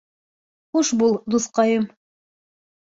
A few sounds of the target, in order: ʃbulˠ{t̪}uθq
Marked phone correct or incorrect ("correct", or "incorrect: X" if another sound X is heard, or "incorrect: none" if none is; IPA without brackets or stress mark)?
incorrect: d̪